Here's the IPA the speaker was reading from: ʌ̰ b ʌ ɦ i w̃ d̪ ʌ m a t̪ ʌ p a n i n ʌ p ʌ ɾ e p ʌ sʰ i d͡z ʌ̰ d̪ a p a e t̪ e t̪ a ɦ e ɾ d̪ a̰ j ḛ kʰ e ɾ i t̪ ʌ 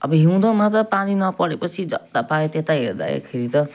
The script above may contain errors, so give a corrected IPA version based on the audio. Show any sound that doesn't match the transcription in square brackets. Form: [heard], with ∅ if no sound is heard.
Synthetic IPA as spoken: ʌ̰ b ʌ ɦ i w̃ d̪ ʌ m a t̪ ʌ p a n i n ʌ p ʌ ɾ e p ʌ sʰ i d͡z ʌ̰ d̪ a p a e t̪ e t̪ a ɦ e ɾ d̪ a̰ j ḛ kʰ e ɾ i t̪ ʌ